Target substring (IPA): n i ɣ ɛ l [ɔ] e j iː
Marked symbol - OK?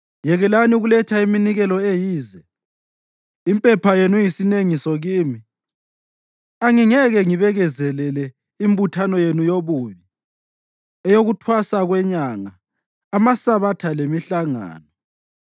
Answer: yes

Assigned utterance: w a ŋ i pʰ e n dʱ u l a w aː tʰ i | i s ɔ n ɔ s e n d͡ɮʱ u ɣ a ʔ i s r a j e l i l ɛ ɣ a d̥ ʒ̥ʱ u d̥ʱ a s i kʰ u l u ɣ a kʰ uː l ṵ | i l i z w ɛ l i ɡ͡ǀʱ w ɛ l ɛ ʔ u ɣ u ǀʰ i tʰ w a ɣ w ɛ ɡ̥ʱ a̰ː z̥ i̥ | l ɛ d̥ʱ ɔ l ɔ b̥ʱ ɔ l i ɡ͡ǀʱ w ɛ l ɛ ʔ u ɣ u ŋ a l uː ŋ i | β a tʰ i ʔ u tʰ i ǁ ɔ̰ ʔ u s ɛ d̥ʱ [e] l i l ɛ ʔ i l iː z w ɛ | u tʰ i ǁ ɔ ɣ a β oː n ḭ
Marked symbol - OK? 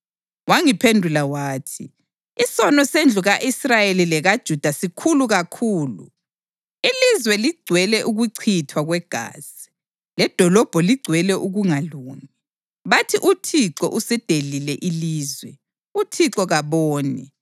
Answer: yes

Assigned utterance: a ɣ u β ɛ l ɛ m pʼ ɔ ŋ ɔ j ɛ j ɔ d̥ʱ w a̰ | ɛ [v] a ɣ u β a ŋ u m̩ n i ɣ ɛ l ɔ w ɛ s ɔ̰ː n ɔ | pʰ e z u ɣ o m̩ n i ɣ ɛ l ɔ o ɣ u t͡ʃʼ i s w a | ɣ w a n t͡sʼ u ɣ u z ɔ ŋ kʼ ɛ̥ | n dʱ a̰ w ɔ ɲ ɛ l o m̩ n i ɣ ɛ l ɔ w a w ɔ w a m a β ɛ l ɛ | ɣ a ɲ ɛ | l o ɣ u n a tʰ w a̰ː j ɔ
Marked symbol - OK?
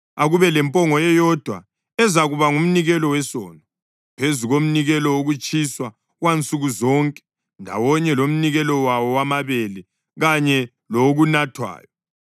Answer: no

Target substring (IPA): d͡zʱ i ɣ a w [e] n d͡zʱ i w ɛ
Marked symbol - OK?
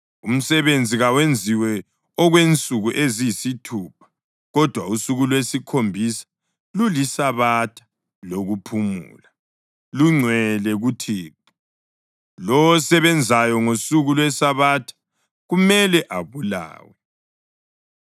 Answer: yes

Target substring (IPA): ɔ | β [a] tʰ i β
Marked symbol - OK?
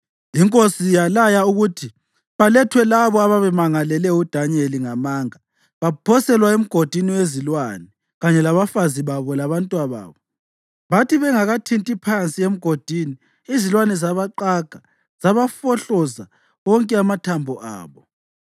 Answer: yes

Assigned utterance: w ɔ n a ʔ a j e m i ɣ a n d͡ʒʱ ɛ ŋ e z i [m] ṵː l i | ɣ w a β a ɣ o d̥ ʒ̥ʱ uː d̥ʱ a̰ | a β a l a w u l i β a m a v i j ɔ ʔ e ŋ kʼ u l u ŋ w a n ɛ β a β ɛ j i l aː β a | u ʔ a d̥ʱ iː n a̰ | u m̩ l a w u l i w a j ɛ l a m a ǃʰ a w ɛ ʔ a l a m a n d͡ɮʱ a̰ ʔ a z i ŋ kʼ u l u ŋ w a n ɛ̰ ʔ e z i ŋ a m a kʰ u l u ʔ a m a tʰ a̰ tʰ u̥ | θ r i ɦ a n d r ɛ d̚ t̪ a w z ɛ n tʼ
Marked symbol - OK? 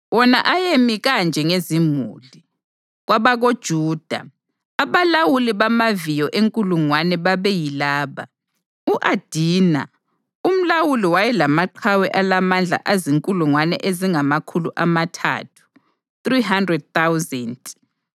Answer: yes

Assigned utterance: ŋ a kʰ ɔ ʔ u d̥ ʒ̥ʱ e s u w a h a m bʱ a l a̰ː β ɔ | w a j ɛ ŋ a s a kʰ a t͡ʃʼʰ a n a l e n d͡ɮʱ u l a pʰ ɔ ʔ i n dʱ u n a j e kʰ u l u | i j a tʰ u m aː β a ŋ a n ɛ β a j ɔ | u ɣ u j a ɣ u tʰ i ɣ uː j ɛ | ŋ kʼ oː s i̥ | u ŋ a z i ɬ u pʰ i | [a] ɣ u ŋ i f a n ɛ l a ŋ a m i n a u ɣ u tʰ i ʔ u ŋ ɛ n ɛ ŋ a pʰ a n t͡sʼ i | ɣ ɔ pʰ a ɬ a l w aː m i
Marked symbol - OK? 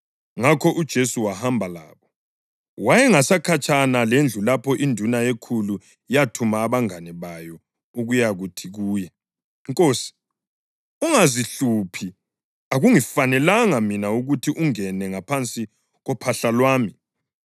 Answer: yes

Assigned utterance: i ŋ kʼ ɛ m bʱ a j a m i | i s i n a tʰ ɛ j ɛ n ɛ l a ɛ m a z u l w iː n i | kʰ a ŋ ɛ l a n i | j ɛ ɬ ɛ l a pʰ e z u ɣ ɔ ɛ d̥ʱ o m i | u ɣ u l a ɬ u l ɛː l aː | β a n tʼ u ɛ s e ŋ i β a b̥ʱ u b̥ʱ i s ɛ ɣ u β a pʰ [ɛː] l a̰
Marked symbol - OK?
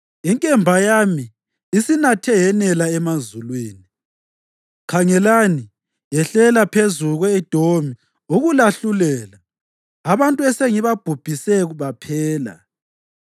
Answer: yes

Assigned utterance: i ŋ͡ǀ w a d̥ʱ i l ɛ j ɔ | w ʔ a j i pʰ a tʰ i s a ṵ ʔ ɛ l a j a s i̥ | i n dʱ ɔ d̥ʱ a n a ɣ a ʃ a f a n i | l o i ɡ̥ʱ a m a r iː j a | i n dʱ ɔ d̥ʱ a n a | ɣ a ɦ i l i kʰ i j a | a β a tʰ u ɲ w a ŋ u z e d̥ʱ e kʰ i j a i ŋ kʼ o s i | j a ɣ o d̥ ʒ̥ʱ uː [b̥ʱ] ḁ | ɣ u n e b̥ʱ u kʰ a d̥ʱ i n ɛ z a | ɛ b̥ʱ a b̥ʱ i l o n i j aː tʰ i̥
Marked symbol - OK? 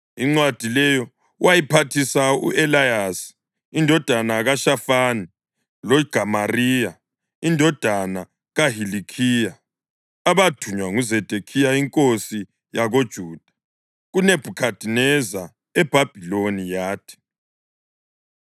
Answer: no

